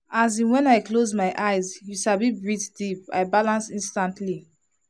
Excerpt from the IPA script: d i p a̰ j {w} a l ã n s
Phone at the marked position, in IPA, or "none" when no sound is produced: b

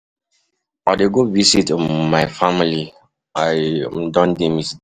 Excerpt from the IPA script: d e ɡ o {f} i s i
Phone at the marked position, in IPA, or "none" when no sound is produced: v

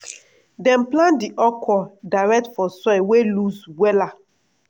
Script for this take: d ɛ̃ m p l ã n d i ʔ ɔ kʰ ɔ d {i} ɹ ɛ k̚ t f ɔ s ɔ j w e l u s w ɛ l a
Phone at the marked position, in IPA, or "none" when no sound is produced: a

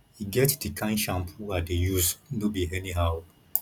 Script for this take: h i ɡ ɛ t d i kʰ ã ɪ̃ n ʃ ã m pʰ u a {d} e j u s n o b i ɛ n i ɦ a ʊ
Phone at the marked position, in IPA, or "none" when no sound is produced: d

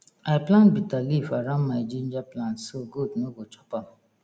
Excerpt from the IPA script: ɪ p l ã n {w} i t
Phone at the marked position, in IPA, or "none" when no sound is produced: b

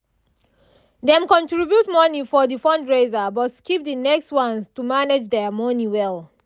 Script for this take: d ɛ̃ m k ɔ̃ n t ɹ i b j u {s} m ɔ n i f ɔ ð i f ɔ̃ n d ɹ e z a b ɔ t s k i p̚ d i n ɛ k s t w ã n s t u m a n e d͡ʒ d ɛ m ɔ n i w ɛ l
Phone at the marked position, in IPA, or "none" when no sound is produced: t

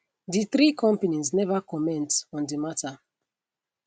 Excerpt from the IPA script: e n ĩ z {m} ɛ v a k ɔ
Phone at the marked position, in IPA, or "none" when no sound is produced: n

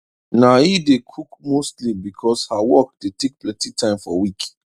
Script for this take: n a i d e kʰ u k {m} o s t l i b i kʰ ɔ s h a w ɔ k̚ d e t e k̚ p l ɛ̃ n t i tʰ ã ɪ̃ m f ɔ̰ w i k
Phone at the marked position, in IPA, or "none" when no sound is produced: m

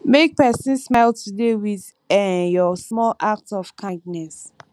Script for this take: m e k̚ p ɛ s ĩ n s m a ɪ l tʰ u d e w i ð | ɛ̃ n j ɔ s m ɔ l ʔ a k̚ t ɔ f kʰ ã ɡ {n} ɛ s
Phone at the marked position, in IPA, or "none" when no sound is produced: n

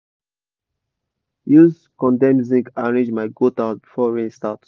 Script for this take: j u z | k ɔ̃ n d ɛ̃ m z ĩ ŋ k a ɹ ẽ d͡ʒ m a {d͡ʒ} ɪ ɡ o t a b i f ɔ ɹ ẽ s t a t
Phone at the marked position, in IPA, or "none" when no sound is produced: none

